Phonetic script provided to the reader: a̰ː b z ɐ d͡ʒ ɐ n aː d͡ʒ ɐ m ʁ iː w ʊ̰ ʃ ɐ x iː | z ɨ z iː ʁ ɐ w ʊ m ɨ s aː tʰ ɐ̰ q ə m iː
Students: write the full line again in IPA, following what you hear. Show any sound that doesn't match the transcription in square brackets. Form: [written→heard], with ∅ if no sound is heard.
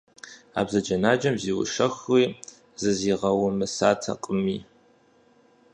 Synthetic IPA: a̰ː b z ɐ d͡ʒ ɐ n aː d͡ʒ ɐ m [ʁ→z] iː w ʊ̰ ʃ ɐ x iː | z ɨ z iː ʁ ɐ w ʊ m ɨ s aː tʰ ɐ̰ [q→qʼ] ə m iː